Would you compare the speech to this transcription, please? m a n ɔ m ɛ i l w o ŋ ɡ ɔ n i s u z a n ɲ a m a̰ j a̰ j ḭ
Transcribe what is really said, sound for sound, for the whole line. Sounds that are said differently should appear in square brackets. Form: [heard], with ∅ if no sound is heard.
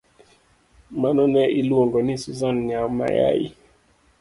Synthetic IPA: m a n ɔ [n] ɛ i l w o ŋ ɡ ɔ n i s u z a n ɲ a m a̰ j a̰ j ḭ